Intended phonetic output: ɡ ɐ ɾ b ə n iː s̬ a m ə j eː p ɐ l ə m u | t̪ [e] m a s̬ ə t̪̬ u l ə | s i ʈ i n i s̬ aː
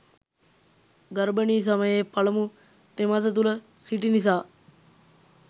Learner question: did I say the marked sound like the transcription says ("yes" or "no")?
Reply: yes